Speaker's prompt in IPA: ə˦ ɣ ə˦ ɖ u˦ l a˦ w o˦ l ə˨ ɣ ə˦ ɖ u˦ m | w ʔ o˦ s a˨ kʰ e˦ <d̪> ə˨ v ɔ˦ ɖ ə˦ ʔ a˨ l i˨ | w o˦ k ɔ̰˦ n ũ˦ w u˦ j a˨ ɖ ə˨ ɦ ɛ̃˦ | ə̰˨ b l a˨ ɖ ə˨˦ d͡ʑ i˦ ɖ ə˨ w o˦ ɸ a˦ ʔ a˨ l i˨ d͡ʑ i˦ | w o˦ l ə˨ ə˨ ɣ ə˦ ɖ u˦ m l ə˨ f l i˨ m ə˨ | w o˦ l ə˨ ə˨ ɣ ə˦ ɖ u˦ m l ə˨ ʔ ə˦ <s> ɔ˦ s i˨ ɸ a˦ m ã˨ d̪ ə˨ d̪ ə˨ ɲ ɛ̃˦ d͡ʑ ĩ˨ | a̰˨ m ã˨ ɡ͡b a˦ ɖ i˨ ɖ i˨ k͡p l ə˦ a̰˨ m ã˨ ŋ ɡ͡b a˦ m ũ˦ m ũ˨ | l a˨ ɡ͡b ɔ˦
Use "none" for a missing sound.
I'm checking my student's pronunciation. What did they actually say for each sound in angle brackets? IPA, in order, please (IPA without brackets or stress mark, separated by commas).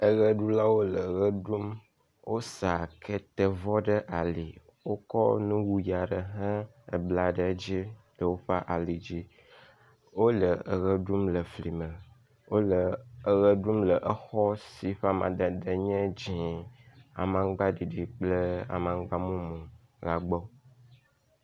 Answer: t̪, x